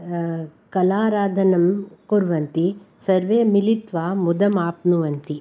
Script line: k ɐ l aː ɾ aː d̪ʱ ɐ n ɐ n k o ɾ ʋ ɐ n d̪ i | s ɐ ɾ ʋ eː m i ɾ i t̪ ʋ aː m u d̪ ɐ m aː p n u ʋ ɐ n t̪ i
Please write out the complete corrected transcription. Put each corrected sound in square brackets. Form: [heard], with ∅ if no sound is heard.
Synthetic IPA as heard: k ɐ l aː ɾ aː d̪ʱ ɐ n ɐ [m] k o ɾ ʋ ɐ n [t̪] i | s ɐ ɾ ʋ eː m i [l] i t̪ ʋ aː m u d̪ ɐ m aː p n u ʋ ɐ n t̪ i